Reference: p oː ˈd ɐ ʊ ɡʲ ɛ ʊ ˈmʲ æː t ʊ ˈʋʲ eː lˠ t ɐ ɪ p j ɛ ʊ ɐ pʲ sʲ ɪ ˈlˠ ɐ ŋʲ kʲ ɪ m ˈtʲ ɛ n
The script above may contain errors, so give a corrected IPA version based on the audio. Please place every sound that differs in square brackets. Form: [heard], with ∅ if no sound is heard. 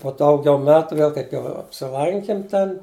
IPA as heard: p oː ˈd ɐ ʊ ɡʲ ɛ ʊ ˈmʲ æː t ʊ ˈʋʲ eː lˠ [k] ɐ ɪ p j ɛ ʊ ɐ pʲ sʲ ɪ ˈlˠ ɐ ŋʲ kʲ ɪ m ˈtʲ ɛ n